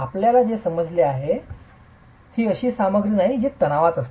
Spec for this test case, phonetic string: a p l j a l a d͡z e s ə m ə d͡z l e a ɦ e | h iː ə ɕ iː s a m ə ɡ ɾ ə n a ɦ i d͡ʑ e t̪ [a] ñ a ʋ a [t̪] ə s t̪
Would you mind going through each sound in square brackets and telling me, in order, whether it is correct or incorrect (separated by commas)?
incorrect, correct